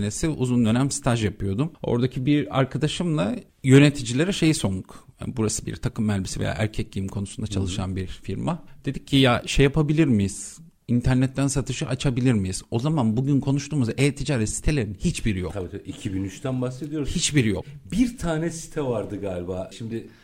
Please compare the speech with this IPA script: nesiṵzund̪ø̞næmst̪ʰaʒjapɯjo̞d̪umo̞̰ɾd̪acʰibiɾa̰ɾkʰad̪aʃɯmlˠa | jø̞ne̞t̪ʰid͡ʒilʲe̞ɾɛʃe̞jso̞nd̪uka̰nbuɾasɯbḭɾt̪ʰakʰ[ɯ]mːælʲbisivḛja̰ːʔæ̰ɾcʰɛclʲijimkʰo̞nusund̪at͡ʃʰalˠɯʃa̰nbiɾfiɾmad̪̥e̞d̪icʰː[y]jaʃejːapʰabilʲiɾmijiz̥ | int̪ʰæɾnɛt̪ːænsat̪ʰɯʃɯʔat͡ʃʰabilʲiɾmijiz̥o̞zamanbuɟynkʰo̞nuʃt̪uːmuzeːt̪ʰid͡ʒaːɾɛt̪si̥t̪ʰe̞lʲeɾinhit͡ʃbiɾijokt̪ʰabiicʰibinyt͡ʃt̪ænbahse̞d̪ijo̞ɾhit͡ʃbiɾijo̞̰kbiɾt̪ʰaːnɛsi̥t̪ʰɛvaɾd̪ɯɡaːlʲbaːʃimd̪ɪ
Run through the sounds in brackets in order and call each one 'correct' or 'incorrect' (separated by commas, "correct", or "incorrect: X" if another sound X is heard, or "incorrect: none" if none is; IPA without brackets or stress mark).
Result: correct, incorrect: i